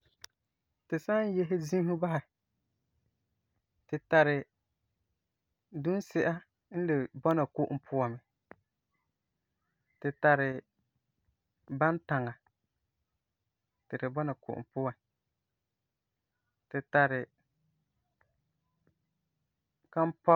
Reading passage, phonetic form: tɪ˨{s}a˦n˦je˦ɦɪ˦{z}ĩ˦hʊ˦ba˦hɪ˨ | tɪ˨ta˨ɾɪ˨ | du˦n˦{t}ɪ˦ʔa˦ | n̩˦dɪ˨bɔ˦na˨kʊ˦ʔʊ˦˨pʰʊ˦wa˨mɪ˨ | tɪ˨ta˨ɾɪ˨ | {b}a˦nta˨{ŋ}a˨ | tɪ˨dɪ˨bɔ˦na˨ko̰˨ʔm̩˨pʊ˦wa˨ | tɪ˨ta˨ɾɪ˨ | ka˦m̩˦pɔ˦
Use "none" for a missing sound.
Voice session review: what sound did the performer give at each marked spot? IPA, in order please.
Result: s, z, s, b, ŋ

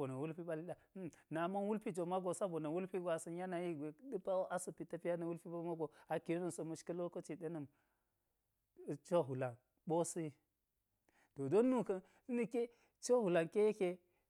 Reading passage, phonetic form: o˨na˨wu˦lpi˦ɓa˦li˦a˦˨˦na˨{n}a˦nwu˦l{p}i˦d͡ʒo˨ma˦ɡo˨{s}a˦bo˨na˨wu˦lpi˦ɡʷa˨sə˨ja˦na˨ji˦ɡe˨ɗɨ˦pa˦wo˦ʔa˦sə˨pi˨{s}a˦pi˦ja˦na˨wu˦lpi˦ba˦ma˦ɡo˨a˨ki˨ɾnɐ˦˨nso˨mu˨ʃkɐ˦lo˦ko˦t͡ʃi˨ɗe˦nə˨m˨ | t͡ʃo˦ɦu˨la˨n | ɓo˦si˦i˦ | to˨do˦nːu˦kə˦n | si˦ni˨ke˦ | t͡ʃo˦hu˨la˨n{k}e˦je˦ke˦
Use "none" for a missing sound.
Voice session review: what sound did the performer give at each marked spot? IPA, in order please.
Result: m, p, s, t, k

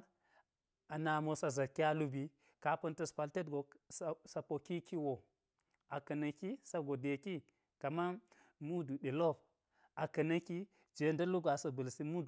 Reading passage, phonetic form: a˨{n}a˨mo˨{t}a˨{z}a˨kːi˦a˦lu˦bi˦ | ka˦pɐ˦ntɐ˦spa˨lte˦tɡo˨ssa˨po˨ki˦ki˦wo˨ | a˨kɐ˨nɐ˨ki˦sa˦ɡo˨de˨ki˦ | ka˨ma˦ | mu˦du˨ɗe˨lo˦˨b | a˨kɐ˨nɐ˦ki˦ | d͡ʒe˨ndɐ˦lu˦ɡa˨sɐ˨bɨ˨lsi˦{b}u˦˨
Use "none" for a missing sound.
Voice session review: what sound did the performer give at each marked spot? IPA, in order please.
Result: n, s, z, m

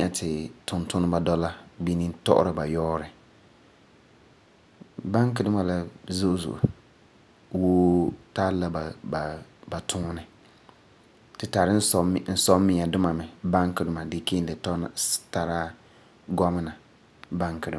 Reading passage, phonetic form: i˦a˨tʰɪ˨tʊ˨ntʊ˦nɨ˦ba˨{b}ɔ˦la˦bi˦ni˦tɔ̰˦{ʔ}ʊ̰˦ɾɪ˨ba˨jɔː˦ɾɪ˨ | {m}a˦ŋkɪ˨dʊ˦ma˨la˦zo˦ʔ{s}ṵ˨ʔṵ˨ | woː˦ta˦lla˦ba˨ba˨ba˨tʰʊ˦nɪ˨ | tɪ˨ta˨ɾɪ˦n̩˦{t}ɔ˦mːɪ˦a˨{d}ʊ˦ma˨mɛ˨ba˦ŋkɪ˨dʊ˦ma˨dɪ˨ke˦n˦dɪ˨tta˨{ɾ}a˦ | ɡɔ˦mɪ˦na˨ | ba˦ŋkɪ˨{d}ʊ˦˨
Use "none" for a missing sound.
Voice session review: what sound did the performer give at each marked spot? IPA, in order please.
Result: d, ʔ, b, z, s, d, ɾ, d

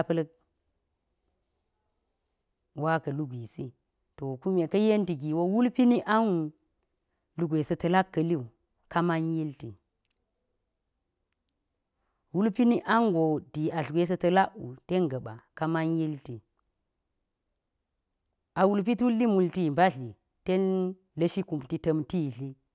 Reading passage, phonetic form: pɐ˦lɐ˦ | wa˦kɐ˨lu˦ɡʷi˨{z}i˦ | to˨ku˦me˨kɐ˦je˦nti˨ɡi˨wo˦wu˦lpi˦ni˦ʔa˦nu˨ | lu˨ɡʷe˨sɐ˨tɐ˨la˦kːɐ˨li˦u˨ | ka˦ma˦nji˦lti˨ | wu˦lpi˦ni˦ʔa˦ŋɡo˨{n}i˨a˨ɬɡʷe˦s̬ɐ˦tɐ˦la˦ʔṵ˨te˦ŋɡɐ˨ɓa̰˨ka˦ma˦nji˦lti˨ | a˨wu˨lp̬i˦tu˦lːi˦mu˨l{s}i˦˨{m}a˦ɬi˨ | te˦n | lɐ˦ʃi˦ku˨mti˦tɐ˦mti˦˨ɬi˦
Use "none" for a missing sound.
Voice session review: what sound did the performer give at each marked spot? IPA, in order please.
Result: s, d, t, b

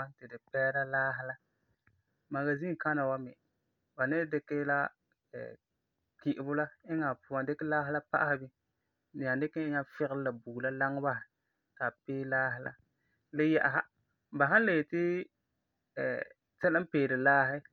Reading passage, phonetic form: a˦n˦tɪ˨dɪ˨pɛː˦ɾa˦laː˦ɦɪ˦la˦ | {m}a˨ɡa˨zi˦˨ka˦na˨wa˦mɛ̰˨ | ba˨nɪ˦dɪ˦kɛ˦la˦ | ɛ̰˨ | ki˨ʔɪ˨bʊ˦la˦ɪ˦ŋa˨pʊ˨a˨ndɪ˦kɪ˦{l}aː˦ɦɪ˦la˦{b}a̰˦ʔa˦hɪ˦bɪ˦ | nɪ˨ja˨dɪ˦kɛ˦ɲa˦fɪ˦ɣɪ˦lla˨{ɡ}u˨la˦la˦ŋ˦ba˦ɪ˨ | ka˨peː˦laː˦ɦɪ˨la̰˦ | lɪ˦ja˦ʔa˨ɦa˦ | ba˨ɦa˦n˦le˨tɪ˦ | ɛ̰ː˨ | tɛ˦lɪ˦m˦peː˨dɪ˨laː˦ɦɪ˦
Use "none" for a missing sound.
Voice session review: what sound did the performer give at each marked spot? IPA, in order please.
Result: m, l, p, b

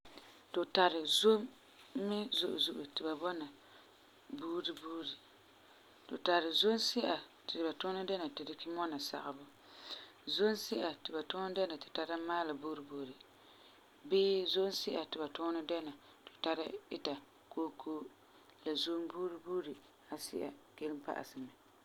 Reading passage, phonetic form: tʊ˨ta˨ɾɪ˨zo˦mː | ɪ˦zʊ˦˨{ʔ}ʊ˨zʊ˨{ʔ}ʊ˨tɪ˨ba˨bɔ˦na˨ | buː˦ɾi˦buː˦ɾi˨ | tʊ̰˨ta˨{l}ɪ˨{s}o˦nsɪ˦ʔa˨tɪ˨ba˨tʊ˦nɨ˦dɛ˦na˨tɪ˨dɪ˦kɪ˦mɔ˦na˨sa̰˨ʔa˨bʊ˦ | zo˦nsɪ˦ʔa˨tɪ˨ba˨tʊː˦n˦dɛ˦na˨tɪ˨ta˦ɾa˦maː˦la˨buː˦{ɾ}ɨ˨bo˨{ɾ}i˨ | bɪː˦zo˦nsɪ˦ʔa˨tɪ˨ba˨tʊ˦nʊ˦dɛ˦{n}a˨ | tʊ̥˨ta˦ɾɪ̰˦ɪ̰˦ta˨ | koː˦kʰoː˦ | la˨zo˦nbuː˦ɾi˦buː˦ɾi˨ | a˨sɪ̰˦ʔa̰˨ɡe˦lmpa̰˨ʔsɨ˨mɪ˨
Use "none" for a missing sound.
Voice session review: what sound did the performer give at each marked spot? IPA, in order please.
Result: ʔ, ʔ, ɾ, z, ɾ, ɾ, n

